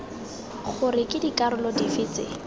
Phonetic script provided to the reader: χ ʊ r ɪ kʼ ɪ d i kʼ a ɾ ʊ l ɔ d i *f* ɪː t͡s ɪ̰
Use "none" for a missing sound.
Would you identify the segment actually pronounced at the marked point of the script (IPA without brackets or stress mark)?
f